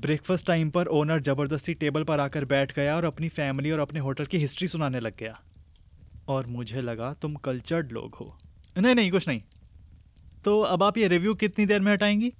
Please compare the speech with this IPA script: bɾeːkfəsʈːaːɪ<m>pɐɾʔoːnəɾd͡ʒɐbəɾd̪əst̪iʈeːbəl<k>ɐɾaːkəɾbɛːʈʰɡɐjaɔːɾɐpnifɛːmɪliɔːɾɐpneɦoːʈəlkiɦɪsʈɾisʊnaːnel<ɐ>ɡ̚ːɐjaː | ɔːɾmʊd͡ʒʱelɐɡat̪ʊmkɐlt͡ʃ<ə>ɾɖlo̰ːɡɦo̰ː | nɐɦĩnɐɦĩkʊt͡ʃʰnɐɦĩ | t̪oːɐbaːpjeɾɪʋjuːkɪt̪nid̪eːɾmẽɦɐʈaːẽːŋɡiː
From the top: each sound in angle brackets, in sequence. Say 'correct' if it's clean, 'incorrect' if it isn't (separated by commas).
correct, incorrect, correct, correct